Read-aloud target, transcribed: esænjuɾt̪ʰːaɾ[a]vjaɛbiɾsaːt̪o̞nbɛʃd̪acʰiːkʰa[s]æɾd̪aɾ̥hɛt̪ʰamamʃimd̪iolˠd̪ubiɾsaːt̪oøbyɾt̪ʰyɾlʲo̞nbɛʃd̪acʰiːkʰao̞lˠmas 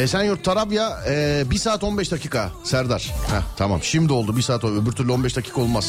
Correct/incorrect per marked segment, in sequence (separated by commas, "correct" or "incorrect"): correct, correct